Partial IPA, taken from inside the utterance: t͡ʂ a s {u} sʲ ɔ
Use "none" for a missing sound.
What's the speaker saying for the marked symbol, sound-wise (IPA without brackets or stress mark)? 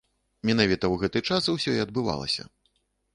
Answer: w